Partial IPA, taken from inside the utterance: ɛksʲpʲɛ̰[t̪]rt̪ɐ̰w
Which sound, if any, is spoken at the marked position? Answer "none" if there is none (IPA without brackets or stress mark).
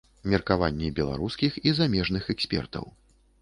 none